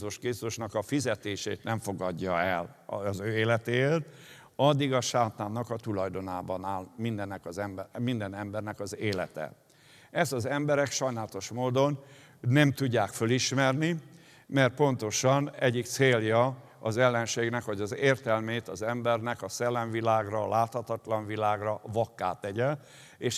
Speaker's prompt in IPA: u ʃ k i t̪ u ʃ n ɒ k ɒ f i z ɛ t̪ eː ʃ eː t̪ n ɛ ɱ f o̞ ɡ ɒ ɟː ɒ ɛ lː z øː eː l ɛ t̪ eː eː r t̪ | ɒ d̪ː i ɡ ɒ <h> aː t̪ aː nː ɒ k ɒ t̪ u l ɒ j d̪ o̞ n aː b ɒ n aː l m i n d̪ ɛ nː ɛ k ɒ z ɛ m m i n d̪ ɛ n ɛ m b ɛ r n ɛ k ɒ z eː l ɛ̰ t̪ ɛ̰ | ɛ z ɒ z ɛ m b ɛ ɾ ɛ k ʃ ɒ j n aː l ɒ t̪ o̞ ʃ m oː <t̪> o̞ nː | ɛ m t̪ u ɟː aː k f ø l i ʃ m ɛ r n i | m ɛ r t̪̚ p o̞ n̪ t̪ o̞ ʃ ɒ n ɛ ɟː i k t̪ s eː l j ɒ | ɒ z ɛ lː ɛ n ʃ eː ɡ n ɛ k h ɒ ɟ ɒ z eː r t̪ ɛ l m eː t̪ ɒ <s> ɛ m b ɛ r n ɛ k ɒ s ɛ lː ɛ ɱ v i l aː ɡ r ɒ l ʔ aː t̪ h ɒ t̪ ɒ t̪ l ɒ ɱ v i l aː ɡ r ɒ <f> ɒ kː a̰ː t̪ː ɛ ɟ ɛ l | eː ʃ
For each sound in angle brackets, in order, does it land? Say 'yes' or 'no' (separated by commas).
no, no, no, no